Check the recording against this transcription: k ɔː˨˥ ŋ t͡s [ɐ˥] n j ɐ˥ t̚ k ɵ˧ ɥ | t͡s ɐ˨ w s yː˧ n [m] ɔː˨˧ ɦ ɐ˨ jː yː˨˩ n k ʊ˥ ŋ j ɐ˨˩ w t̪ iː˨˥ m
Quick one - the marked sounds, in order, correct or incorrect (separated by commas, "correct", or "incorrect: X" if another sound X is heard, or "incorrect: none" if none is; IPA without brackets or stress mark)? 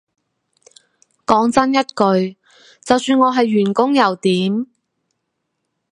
correct, incorrect: ŋ